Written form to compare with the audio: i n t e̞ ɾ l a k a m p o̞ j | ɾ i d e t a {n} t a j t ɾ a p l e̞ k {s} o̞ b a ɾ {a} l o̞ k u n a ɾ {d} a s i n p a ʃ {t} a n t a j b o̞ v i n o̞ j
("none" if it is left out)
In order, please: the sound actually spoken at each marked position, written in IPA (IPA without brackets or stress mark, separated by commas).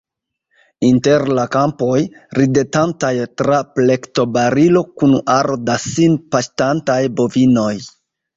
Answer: n, t, i, d, t